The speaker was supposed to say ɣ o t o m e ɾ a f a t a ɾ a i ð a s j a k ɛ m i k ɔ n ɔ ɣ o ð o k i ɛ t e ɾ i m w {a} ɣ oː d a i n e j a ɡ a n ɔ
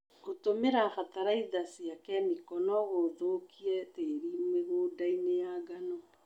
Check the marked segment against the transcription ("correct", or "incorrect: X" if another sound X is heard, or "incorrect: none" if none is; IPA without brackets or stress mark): incorrect: e